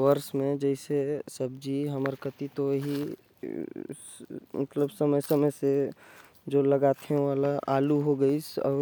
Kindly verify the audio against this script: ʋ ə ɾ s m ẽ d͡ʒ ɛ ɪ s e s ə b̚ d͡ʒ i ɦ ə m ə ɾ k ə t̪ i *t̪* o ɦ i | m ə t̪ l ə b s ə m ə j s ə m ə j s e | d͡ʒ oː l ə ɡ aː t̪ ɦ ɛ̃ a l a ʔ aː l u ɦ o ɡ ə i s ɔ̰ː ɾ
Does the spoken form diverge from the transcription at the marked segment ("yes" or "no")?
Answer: no